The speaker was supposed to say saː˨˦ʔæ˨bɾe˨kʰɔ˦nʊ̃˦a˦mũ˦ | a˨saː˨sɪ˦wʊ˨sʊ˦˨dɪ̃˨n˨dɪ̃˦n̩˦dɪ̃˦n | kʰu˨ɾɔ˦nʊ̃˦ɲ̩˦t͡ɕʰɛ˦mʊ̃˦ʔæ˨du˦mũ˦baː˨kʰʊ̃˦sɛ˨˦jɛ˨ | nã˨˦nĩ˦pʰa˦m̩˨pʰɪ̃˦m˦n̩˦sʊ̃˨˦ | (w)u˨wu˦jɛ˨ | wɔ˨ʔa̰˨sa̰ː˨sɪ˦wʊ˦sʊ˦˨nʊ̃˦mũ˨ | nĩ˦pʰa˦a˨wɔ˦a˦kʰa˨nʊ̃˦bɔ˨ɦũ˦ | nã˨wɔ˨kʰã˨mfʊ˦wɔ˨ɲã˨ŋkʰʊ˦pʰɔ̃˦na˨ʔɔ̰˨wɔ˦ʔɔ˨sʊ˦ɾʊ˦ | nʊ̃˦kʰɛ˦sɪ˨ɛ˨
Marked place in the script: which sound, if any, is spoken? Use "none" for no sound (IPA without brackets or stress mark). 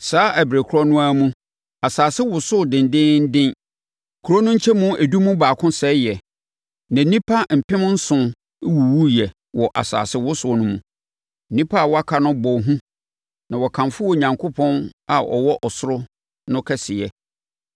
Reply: w